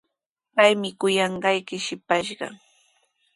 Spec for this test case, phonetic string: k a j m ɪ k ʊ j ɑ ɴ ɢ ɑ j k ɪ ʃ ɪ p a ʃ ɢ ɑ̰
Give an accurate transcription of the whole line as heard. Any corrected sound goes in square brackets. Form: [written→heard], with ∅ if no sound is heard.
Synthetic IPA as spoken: [k→p] a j m ɪ k ʊ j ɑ ɴ ɢ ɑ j k ɪ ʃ ɪ p a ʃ ɢ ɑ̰